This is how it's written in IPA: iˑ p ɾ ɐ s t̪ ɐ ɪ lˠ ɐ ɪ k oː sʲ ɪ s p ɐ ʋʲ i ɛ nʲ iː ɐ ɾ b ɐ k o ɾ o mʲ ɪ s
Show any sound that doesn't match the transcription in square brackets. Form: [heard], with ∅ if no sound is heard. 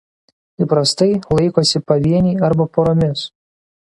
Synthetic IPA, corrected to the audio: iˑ p ɾ ɐ s t̪ ɐ ɪ lˠ ɐ ɪ k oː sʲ ɪ [∅] p ɐ ʋʲ i ɛ nʲ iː ɐ ɾ b ɐ [p] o ɾ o mʲ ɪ s